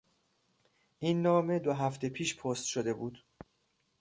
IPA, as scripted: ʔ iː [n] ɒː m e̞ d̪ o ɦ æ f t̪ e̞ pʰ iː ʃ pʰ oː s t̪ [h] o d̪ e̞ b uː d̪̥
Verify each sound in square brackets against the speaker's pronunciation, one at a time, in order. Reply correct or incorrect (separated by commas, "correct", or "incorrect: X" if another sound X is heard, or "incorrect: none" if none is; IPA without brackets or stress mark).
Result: incorrect: nː, incorrect: ʃ